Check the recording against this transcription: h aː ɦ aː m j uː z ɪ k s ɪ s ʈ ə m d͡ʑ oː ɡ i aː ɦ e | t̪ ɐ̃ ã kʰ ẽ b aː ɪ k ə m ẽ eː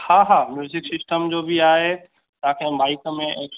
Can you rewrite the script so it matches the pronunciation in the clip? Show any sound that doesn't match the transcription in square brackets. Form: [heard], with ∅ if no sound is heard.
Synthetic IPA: h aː ɦ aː m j uː z ɪ k s ɪ s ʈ ə m d͡ʑ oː [b] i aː ɦ e | t̪ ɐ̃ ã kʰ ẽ b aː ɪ k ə m ẽ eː